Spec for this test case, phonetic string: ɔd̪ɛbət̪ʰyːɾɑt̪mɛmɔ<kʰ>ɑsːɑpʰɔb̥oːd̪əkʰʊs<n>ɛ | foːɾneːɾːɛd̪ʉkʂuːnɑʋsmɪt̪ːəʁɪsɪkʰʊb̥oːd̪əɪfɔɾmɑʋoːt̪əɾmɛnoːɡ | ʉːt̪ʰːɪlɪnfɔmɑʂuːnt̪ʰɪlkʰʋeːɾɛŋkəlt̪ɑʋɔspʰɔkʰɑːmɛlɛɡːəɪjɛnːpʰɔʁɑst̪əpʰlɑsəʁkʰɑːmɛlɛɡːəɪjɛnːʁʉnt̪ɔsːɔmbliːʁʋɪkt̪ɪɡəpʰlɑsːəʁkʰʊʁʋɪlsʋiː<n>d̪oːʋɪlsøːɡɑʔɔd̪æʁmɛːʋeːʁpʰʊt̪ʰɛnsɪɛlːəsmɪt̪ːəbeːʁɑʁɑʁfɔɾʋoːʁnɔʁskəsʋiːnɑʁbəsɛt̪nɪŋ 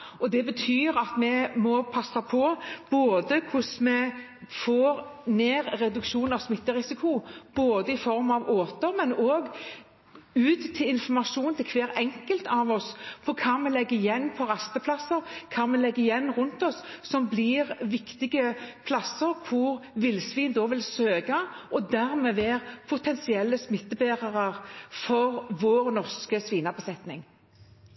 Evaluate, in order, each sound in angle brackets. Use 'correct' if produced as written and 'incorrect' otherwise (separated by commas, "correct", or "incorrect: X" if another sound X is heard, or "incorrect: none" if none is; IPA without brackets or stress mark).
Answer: incorrect: pʰ, incorrect: m, correct